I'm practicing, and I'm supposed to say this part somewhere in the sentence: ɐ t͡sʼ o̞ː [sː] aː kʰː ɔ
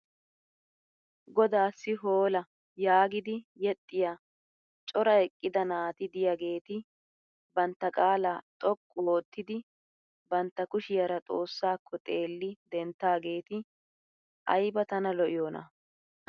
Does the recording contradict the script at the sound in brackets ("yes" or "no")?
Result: no